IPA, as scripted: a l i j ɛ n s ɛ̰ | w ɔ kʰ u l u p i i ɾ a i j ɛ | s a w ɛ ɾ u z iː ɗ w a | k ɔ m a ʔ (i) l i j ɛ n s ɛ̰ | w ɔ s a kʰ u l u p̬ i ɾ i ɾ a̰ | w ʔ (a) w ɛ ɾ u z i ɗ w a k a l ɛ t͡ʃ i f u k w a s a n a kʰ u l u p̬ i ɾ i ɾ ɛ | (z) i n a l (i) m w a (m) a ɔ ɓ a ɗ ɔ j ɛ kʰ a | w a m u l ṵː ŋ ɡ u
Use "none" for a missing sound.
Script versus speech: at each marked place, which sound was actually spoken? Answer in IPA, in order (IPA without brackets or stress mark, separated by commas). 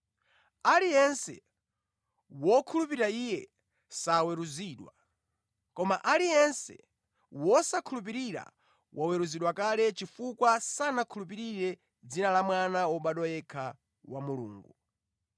a, a, d͡z, a, n